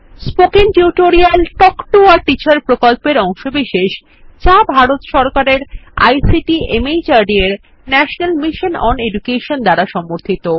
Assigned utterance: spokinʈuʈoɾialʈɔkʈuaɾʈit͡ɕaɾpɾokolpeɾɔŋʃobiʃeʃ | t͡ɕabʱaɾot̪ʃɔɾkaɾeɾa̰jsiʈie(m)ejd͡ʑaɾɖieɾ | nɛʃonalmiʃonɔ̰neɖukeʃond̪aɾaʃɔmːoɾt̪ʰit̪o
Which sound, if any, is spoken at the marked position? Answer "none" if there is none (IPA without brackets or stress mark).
m